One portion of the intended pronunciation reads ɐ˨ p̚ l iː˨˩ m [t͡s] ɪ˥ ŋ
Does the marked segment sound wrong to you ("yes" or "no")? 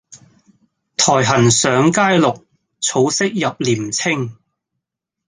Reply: yes